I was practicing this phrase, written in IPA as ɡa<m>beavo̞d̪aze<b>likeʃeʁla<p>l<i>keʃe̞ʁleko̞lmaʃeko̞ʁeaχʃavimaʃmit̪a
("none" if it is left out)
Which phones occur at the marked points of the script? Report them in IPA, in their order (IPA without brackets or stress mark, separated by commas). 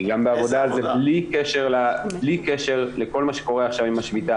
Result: m, b, b, i